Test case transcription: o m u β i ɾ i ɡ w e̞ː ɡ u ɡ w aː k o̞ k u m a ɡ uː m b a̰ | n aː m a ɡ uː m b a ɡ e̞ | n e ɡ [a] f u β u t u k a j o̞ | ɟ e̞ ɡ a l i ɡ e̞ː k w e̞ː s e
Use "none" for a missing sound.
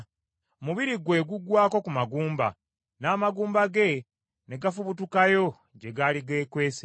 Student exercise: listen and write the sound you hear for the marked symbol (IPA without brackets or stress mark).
a